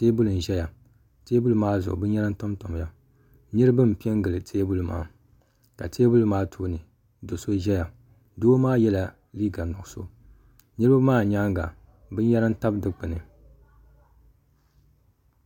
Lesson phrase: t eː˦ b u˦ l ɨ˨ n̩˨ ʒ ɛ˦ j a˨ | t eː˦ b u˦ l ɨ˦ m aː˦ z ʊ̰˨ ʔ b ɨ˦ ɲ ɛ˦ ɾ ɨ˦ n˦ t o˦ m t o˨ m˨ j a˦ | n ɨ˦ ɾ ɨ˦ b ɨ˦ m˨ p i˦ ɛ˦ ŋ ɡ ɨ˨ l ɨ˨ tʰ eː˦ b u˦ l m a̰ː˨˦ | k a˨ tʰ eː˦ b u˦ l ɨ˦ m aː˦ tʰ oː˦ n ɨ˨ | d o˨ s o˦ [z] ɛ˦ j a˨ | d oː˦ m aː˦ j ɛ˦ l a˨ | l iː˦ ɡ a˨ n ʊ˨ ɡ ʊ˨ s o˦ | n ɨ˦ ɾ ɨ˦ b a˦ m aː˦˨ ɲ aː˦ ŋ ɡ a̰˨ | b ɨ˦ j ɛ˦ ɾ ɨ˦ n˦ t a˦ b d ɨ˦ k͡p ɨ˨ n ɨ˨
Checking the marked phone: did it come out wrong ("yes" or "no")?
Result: yes